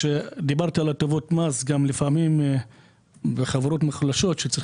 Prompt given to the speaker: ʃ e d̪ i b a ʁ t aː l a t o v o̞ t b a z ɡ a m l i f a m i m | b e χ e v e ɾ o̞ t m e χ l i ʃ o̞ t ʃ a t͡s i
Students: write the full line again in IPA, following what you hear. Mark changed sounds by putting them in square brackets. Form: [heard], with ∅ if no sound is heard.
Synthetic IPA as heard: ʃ e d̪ i b a ʁ t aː l a t o v o̞ t [m] a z ɡ a m l i f a m i m | b e χ [a] v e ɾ o̞ t m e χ l [a] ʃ o̞ t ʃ [e] t͡s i